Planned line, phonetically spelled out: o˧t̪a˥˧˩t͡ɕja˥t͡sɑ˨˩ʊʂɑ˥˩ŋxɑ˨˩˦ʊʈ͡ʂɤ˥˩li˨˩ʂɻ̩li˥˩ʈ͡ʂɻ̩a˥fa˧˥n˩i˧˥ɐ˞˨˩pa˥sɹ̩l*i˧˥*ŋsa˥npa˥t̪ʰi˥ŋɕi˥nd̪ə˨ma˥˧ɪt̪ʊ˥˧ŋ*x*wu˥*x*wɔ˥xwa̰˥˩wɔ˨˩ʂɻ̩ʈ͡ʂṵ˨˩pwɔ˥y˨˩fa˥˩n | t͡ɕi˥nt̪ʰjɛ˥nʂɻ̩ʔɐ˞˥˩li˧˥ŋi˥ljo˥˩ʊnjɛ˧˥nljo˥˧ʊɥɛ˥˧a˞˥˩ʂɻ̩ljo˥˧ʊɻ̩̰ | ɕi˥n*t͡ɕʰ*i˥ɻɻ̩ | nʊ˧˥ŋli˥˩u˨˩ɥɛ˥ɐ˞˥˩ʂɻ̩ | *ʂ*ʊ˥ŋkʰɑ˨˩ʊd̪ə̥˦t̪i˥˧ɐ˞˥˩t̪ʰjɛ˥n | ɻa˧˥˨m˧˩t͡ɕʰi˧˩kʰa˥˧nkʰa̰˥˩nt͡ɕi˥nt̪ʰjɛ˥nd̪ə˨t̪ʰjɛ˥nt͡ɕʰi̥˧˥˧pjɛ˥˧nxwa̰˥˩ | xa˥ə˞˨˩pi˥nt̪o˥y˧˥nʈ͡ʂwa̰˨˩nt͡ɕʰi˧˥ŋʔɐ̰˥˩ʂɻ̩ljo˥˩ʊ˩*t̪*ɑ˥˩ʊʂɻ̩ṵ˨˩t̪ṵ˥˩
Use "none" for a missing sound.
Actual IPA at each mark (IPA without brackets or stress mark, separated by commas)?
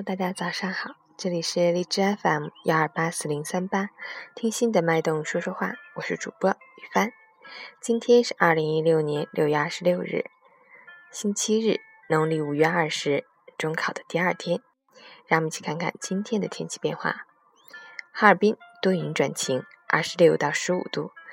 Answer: i˧˥, ʂ, ʂ, t͡ɕʰ, ʈ͡ʂ, t̪